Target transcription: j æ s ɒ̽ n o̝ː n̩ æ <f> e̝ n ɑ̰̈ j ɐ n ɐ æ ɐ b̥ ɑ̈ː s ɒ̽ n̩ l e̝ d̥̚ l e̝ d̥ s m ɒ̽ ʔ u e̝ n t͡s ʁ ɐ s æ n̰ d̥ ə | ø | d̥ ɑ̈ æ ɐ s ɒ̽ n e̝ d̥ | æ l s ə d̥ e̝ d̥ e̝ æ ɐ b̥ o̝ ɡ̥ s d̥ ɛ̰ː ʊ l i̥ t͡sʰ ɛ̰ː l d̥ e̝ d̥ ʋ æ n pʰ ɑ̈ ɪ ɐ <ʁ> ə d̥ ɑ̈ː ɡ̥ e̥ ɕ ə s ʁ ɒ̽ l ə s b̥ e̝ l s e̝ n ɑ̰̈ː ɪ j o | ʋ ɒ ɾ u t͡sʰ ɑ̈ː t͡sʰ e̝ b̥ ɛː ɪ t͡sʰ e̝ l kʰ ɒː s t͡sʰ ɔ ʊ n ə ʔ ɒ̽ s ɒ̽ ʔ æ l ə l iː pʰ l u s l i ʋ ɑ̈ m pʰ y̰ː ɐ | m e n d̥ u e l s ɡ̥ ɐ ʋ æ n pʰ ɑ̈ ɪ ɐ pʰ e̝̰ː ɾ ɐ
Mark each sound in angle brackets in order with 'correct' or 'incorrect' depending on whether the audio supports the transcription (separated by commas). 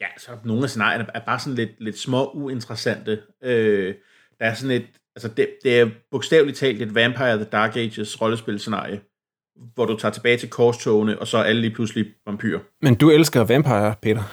incorrect, incorrect